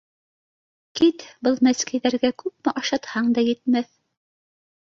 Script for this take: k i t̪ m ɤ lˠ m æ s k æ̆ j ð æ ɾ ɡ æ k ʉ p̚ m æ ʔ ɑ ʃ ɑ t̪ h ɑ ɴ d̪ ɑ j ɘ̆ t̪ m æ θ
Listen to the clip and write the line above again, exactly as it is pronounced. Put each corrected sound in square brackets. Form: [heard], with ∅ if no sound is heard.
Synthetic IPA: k i t̪ [b] ɤ lˠ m æ s k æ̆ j ð æ ɾ ɡ æ k ʉ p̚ m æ ʔ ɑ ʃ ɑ t̪ h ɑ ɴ d̪ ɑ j ɘ̆ t̪ m æ θ